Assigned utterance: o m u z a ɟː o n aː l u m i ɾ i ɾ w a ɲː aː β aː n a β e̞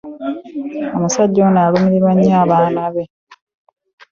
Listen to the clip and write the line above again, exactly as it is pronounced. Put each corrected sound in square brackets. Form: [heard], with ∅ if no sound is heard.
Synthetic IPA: o m u [s] a ɟː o n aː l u m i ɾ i ɾ w a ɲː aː β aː n a β e̞